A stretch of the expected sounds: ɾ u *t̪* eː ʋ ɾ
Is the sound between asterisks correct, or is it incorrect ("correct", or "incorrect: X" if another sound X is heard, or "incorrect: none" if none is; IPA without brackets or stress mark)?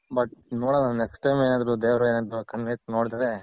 incorrect: d̪